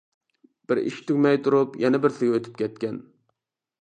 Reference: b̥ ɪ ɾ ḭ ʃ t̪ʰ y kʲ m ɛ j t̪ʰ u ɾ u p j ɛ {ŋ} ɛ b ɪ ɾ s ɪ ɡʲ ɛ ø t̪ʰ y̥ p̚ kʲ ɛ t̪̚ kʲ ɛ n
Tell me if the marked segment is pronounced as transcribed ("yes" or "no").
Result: no